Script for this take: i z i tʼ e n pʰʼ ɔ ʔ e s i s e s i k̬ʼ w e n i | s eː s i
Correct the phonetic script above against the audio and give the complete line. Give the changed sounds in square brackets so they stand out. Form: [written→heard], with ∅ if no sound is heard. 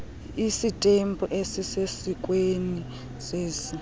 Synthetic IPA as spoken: i [z→s] i tʼ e [n→m] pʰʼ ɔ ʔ e s i s e s i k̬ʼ w e n i | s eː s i